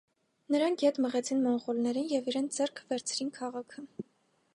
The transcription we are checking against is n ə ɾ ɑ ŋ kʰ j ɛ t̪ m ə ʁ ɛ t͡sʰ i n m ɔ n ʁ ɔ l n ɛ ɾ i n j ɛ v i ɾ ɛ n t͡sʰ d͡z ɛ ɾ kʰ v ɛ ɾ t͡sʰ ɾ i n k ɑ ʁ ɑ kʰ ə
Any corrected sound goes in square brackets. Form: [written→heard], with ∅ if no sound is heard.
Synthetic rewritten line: n ə ɾ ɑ ŋ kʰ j ɛ t̪ m ə ʁ ɛ t͡sʰ i n m ɔ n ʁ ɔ l n ɛ ɾ i n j ɛ v i ɾ ɛ n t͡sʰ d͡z ɛ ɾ kʰ v ɛ ɾ t͡sʰ ɾ i n [k→kʰ] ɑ ʁ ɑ kʰ ə